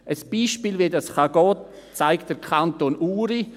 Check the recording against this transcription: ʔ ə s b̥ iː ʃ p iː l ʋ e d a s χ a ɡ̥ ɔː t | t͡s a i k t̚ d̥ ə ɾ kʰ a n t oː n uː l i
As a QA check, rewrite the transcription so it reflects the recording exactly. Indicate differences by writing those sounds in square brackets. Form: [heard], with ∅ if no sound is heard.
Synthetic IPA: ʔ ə s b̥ iː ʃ p iː l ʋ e d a s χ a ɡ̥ ɔː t | t͡s a [ɪ] k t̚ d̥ ə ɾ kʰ a n t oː n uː [ɾ] i